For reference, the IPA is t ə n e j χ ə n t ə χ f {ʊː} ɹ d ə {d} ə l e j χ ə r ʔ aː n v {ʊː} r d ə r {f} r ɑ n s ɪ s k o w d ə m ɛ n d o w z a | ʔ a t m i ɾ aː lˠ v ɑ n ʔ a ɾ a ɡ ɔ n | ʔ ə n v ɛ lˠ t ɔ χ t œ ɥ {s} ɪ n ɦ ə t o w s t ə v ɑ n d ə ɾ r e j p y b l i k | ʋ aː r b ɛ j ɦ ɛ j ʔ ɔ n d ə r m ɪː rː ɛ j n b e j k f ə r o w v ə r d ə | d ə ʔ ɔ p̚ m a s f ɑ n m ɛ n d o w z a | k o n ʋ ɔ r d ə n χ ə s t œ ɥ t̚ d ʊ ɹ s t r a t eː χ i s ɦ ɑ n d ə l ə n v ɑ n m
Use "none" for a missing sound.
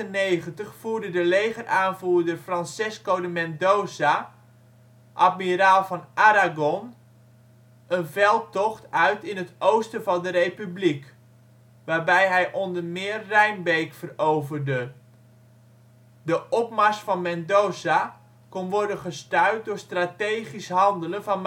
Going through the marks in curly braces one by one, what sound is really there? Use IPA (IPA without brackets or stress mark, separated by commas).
uː, d, uː, f, t